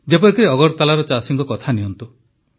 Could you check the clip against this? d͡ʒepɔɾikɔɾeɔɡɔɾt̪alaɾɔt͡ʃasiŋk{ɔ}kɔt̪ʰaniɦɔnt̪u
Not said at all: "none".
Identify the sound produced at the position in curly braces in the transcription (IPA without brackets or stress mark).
ɔ